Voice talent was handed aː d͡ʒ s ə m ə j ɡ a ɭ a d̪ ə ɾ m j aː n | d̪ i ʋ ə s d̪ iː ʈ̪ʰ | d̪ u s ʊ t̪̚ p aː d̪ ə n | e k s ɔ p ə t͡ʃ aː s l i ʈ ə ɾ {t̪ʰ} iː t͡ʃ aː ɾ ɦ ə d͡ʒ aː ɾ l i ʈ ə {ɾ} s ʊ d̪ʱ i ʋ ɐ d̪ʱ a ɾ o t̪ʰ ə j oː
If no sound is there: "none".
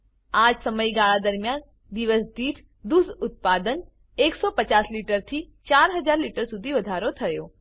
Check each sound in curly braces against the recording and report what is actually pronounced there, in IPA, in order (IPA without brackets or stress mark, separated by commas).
t̪ʰ, ɾ